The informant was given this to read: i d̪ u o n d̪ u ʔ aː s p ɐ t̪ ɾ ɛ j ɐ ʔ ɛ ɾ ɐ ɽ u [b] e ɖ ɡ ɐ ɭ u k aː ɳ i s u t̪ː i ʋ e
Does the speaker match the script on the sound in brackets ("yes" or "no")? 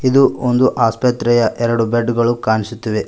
yes